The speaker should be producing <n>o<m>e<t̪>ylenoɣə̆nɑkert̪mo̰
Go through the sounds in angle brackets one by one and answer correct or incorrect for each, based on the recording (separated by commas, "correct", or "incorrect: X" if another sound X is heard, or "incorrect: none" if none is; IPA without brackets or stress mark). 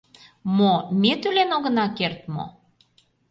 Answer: incorrect: m, correct, correct